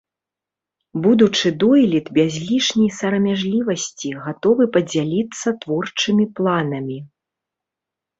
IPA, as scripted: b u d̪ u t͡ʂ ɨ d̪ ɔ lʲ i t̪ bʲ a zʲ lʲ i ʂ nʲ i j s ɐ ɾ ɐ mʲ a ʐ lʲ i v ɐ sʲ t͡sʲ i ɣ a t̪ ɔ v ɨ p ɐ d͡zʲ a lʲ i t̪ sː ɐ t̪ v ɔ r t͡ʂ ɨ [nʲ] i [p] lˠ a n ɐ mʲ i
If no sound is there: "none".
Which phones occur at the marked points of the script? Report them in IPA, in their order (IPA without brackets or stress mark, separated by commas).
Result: mʲ, p